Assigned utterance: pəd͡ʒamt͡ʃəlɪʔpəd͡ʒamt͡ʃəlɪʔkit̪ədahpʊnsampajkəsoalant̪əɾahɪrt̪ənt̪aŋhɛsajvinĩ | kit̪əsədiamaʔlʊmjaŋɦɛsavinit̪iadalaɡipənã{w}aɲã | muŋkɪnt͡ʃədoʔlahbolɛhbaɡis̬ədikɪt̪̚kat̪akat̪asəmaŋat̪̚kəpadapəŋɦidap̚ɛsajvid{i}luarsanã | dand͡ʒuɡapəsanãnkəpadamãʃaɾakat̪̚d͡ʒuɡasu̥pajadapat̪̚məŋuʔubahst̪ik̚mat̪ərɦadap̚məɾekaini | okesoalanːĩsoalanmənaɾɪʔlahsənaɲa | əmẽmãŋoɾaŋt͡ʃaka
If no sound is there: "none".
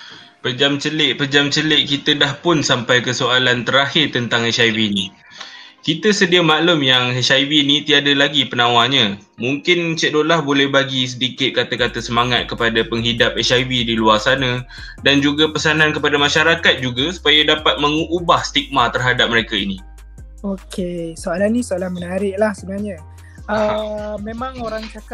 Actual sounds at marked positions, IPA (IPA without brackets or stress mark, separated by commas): w, i